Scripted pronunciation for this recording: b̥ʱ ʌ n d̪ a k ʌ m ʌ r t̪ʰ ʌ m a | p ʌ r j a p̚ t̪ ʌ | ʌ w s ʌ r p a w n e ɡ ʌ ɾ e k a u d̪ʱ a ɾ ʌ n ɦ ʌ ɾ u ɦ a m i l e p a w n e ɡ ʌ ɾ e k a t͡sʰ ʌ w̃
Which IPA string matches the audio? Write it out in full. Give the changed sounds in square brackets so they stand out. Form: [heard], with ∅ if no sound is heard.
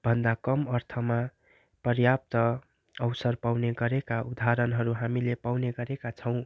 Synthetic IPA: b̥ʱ ʌ n d̪ a k ʌ m ʌ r t̪ʰ ʌ m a | p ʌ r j a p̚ t̪ ʌ | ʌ w s ʌ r p a w n e ɡ ʌ ɾ e k a u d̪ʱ a ɾ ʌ n ɦ ʌ ɾ u ɦ a m i l e p a w n e ɡ ʌ ɾ e k a t͡sʰ ʌ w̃